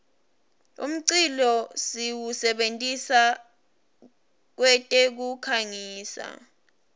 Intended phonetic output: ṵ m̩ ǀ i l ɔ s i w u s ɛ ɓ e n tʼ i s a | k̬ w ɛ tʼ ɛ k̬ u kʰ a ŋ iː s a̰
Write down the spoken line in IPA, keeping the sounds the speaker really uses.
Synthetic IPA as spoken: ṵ m̩ ǀ i l ɔ s i w u s ɛ ɓ e n tʼ i s a | k̬ w ɛ tʼ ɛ k̬ u kʰ a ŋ iː s a̰